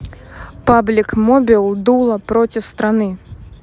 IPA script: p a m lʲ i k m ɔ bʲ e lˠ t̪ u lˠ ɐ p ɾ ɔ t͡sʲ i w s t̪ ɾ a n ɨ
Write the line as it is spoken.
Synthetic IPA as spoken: p a b lʲ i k m ɔ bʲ i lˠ d̪ u lˠ ɐ p ɾ ɔ t͡sʲ i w s t̪ ɾ a n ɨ